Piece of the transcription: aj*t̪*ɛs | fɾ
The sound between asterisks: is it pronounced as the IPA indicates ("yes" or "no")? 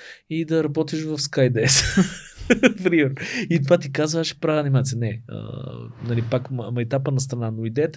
no